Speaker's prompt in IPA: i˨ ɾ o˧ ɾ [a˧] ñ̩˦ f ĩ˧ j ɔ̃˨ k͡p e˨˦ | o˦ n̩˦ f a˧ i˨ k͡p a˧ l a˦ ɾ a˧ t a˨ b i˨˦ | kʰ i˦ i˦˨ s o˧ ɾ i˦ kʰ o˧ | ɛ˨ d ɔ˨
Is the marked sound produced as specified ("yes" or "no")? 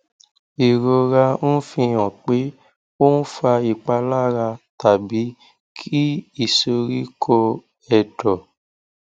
yes